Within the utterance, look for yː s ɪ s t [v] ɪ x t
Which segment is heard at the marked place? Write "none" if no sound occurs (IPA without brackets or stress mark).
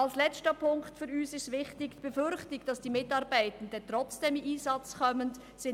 v